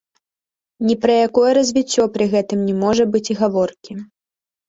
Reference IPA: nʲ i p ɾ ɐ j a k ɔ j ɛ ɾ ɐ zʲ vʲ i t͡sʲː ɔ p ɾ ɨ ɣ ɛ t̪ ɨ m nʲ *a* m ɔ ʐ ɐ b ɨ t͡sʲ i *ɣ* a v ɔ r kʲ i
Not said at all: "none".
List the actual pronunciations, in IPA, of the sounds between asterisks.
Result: ɛ, ɣ

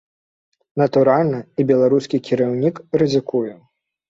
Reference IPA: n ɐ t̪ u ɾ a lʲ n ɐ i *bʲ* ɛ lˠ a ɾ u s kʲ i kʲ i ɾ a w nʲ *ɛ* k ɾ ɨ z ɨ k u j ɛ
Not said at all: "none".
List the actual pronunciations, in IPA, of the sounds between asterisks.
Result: bʲ, i

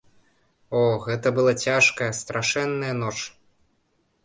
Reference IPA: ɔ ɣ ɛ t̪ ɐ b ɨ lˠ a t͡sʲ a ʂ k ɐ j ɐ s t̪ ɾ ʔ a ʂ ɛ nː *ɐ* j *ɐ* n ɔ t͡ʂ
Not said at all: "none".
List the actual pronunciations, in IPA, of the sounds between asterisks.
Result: ɐ, ɐ

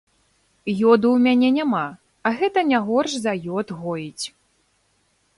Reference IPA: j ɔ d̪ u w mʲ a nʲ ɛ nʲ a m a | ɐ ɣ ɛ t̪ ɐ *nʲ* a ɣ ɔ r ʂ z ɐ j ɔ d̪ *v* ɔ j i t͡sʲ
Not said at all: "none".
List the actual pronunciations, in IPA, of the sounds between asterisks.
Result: nʲ, ɣ

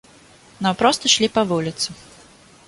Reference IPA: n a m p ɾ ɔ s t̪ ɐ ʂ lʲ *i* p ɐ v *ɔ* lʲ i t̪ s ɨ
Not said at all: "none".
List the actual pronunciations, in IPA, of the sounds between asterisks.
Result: i, u

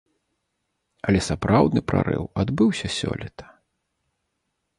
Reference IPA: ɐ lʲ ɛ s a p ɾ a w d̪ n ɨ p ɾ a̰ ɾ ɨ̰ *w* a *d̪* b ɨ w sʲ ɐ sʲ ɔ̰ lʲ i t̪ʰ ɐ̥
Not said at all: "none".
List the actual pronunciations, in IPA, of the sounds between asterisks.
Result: w, d̪

